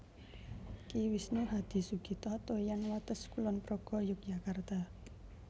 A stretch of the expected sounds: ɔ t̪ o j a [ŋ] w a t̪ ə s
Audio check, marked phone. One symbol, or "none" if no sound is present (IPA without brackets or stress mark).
n